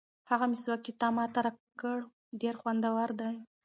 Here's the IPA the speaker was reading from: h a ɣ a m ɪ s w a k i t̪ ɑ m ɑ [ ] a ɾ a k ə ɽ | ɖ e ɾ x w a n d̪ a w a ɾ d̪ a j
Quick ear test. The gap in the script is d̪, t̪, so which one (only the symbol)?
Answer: t̪